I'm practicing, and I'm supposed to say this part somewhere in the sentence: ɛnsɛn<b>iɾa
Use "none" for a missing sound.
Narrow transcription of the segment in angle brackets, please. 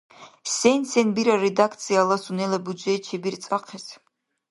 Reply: b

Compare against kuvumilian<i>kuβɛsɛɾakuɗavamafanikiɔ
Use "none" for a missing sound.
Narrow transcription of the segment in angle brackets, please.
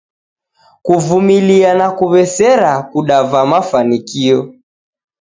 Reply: a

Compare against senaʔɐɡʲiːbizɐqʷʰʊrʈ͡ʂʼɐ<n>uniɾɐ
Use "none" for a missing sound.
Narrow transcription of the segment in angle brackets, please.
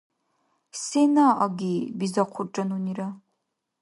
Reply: n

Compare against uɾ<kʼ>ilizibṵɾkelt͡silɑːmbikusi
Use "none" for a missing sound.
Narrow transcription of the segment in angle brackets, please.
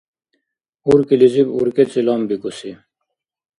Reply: k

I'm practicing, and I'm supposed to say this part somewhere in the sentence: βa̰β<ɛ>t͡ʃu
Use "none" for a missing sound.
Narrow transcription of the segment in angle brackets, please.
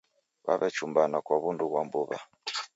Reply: ɛ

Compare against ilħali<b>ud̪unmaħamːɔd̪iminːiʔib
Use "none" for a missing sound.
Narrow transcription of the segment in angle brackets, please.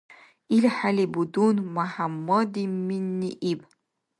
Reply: b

